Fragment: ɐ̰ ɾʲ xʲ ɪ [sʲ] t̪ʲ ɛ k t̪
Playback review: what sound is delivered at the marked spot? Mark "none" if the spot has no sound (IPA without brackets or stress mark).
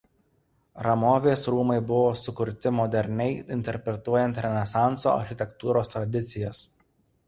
none